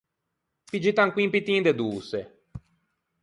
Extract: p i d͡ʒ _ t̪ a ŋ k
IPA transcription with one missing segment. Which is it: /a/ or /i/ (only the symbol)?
i